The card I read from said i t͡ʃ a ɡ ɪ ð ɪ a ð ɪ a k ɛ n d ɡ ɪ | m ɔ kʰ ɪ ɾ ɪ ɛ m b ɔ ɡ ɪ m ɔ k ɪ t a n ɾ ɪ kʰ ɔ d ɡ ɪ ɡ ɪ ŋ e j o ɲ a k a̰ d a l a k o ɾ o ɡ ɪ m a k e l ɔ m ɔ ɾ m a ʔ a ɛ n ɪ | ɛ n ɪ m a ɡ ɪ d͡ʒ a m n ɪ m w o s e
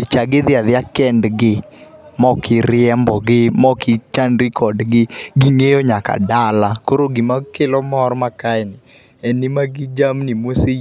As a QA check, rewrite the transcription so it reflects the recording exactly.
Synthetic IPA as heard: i t͡ʃ a ɡ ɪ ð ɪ a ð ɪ a k ɛ n d ɡ ɪ | m ɔ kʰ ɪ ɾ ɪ ɛ m b ɔ ɡ ɪ m ɔ k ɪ t͡ʃ a n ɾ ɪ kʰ ɔ d ɡ ɪ ɡ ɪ ŋ e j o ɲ a k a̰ d a l a k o ɾ o ɡ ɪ m a k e l ɔ m ɔ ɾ m a k a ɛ n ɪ | ɛ n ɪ m a ɡ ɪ d͡ʒ a m n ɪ m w o s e